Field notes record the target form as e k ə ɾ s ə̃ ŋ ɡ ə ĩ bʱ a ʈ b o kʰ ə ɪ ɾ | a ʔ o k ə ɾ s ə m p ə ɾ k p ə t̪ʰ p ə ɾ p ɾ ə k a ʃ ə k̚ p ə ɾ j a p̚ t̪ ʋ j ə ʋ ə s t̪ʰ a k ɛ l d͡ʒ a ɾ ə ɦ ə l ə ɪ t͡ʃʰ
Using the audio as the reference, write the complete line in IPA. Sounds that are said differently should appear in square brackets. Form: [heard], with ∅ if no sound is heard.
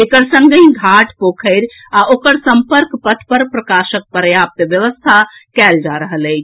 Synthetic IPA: e k ə ɾ s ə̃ ŋ ɡ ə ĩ [ɡʱ] a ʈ [p] o kʰ ə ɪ ɾ | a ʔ o k ə ɾ s ə m p ə ɾ k p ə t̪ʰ p ə ɾ p ɾ ə k a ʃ ə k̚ p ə ɾ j a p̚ t̪ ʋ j ə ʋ ə s t̪ʰ a k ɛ l d͡ʒ a ɾ ə ɦ ə l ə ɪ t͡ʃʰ